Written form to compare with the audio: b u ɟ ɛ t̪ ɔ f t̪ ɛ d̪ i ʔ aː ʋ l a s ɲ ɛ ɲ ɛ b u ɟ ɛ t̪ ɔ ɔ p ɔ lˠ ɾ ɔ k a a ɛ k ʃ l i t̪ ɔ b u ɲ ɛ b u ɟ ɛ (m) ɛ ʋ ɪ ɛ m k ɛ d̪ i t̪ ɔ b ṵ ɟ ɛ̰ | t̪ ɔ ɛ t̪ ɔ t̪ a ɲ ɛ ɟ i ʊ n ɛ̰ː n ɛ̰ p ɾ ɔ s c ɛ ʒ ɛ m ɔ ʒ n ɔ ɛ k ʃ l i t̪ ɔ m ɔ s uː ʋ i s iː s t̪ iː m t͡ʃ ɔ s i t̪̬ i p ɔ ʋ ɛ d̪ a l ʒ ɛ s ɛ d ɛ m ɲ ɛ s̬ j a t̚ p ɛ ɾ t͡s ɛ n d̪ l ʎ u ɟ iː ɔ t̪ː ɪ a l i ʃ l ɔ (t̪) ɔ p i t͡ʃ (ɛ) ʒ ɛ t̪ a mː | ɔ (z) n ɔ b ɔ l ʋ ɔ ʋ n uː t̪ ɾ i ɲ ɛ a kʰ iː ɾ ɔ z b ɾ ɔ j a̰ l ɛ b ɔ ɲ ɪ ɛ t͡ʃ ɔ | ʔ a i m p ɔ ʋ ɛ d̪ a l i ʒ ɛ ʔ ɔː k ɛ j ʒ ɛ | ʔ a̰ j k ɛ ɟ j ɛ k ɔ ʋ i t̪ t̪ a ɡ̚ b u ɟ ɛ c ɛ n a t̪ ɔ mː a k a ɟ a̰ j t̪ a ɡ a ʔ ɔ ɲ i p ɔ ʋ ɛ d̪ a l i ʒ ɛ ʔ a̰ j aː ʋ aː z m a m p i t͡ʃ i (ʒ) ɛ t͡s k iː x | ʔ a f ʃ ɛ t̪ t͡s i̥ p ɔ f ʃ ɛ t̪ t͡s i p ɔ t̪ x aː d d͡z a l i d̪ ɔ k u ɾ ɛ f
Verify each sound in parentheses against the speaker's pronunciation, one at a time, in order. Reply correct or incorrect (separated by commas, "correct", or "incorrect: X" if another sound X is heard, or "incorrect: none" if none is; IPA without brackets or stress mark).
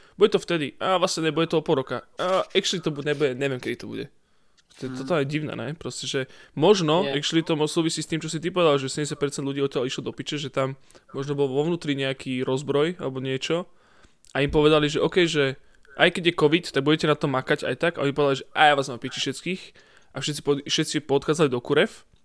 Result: incorrect: ɲ, incorrect: d̪, correct, incorrect: ʒ, incorrect: ʃ